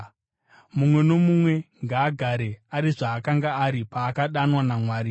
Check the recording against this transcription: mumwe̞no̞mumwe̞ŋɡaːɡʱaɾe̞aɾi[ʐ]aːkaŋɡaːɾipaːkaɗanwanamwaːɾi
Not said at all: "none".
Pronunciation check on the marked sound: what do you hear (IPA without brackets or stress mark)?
ʐ